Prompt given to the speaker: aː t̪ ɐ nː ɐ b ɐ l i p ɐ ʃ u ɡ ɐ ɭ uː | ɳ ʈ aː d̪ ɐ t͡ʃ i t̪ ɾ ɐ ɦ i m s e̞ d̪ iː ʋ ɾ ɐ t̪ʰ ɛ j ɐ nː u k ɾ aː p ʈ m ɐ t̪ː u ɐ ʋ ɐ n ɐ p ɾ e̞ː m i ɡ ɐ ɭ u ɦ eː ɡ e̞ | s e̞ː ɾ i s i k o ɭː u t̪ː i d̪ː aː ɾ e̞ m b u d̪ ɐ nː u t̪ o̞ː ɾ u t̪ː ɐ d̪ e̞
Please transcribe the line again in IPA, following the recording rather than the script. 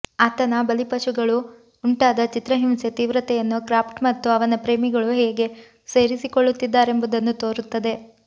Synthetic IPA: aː t̪ ɐ n ɐ b ɐ l i p ɐ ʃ u ɡ ɐ ɭ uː | ɳ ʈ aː d̪ ɐ t͡ʃ i t̪ ɾ ɐ ɦ i m s e̞ t̪ iː ʋ ɾ ɐ t̪ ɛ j ɐ nː u k ɾ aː p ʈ m ɐ t̪ː u ɐ ʋ ɐ n ɐ p ɾ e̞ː m i ɡ ɐ ɭ u ɦ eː ɡ e̞ | s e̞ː ɾ i s i k o ɭː u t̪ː i d̪ː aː ɾ e̞ m b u d̪ ɐ nː u t̪ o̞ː ɾ u t̪ː ɐ d̪ e̞